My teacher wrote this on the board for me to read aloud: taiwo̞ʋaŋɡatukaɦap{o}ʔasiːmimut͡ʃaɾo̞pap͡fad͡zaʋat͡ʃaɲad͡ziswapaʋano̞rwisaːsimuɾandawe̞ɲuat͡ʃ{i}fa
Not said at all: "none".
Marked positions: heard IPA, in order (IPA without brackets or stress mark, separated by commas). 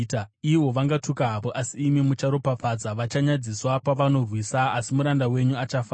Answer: o, a